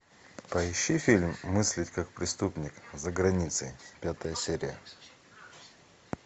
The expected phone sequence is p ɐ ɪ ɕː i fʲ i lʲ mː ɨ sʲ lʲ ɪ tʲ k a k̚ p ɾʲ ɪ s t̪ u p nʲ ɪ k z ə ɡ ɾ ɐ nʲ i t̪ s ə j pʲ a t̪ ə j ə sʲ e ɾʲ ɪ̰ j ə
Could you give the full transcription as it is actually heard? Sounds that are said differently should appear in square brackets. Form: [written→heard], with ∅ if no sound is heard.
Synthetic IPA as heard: p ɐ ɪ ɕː i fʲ i lʲ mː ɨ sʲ lʲ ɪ tʲ k a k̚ p ɾʲ ɪ s t̪ u p nʲ ɪ k z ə ɡ ɾ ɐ nʲ i t̪ s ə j pʲ a t̪ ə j ə sʲ e ɾʲ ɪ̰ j ə